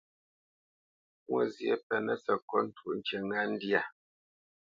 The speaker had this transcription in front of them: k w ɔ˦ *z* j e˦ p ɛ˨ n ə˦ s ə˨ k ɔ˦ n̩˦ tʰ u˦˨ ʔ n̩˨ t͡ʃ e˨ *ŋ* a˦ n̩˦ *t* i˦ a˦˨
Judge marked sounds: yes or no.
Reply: yes, yes, no

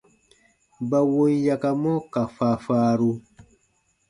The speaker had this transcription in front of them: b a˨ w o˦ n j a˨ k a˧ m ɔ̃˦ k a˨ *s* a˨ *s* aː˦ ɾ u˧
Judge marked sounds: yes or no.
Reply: no, no

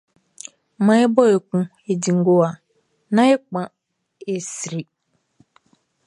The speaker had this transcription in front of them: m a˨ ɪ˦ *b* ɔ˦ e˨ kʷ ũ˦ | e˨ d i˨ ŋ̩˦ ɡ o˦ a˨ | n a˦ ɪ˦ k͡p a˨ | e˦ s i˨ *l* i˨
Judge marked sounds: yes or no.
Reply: yes, no

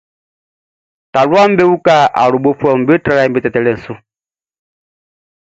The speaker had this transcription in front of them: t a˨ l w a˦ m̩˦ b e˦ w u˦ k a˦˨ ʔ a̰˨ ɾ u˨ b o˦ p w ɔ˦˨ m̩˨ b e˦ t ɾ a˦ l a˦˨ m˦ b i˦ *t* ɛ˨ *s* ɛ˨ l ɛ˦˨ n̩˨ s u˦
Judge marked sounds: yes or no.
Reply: yes, no

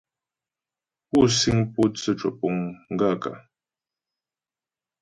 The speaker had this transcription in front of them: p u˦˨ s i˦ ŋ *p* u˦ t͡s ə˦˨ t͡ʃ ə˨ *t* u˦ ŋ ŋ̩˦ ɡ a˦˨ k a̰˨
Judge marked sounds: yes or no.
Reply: yes, no

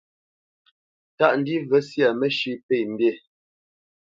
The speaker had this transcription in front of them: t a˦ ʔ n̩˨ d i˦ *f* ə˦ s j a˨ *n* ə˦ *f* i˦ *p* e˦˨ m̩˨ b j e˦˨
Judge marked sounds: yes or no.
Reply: no, no, no, yes

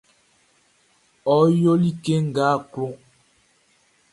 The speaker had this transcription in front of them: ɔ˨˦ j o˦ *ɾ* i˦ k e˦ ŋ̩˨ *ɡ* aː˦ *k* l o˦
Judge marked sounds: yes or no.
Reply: no, yes, yes

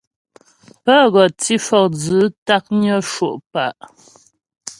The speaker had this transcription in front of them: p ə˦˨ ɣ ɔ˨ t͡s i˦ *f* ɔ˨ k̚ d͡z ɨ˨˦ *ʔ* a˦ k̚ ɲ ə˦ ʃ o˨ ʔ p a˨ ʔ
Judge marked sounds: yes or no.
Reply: yes, no

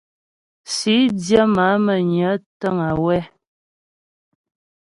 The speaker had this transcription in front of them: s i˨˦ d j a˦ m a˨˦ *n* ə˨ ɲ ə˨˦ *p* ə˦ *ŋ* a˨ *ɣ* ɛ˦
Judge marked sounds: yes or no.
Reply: no, no, yes, no

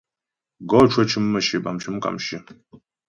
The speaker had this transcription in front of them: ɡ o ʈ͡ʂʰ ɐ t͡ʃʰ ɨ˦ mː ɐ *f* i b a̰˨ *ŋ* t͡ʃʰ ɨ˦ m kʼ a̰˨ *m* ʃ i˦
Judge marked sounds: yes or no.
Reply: no, no, yes

